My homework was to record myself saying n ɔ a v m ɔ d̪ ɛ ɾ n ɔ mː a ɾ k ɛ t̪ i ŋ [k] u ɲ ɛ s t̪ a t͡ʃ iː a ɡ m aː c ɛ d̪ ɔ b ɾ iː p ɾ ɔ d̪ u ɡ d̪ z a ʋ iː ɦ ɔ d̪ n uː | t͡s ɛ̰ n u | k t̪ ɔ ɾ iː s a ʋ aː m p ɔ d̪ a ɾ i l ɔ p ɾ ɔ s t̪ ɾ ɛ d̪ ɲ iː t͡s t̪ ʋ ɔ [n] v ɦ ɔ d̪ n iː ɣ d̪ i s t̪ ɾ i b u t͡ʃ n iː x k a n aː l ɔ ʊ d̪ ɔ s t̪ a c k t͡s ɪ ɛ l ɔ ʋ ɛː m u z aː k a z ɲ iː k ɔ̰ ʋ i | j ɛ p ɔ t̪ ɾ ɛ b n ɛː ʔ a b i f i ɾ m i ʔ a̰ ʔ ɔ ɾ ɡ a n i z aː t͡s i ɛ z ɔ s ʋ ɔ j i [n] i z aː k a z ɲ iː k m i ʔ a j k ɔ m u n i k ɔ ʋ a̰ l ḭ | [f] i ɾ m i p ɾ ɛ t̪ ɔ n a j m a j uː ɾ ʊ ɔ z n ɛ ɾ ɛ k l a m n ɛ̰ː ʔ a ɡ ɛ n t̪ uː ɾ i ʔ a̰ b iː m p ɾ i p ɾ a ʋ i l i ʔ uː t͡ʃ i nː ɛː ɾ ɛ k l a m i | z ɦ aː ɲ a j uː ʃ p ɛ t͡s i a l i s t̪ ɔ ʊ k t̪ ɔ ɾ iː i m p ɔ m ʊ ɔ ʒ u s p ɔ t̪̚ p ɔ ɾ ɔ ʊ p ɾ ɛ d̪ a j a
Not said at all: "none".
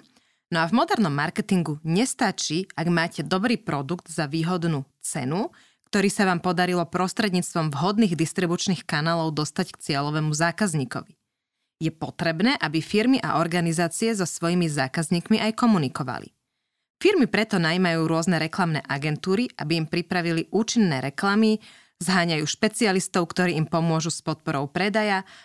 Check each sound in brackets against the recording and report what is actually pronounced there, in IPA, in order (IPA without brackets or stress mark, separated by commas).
ɡ, m, m, f